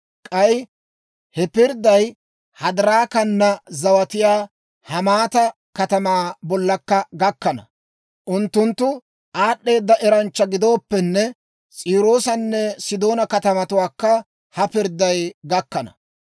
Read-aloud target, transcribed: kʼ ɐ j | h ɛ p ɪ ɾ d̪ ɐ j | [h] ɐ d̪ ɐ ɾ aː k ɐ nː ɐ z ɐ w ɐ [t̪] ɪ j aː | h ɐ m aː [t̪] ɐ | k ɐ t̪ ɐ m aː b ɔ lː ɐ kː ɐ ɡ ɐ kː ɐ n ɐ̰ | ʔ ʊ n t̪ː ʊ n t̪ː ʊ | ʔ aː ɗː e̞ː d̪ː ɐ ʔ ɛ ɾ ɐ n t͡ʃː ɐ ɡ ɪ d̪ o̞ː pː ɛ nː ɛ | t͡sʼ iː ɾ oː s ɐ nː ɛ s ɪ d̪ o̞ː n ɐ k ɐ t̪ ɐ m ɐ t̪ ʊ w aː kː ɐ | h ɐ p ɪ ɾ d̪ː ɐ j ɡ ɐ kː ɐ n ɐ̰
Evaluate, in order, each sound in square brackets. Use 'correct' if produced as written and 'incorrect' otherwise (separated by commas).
correct, correct, correct